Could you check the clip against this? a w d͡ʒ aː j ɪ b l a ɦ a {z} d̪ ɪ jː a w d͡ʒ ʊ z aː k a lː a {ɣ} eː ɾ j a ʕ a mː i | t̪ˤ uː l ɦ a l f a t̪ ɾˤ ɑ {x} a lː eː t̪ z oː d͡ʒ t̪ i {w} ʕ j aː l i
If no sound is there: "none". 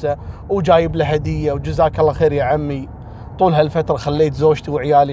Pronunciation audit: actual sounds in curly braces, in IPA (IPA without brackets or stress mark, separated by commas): none, x, x, w